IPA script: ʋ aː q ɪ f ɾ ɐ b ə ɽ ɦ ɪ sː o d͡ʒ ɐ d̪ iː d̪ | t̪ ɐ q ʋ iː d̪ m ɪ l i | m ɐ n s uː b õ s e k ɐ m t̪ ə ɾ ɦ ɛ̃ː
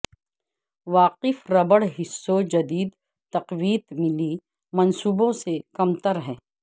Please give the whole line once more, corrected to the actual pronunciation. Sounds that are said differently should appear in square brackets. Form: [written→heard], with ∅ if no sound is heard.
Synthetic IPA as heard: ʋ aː q ɪ f ɾ ɐ b ə ɽ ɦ ɪ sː o d͡ʒ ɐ d̪ iː d̪ | t̪ ɐ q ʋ iː [d̪→t̪] m ɪ l i | m ɐ n s uː b õ s e k ɐ m t̪ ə ɾ ɦ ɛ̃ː